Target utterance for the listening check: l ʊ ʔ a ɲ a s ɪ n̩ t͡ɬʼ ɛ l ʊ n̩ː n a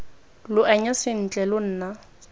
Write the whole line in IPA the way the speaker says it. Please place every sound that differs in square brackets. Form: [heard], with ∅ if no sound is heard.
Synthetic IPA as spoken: l ʊ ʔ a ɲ a s ɪ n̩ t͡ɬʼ ɛ l ʊ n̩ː n a